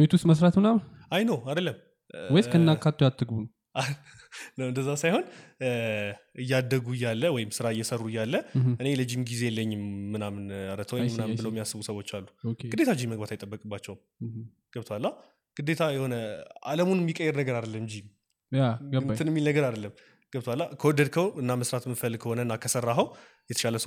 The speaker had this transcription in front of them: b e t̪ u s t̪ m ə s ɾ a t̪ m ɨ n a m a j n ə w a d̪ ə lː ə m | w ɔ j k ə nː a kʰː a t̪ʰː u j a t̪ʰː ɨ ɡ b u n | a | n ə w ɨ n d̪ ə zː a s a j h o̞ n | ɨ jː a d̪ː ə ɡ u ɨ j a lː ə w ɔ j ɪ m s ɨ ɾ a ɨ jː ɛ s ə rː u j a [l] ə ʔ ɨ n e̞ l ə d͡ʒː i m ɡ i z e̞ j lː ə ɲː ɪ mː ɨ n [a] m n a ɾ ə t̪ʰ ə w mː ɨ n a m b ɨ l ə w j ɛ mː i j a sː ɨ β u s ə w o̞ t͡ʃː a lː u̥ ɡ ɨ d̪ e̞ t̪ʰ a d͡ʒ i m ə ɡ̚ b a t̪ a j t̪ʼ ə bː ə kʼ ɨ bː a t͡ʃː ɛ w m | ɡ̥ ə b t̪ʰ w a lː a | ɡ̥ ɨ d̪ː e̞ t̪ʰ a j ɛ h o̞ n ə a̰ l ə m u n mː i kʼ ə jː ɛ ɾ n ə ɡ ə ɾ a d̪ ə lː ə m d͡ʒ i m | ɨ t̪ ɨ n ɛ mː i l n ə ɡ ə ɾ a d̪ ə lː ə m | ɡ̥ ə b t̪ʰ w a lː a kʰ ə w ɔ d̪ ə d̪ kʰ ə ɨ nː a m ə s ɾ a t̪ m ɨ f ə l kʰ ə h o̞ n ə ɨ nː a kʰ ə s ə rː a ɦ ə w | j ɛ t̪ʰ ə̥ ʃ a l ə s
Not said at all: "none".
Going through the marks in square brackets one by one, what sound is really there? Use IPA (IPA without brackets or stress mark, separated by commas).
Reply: lː, a